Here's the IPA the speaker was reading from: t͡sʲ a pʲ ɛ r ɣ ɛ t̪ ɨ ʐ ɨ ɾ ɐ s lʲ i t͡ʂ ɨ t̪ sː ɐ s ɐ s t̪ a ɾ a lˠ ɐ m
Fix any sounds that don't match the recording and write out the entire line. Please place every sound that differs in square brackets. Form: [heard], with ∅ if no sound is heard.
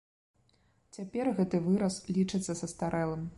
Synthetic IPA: t͡sʲ a pʲ ɛ r ɣ ɛ t̪ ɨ [v] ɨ ɾ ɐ s lʲ i t͡ʂ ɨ t̪ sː ɐ s ɐ s t̪ a ɾ [ɛ] lˠ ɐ m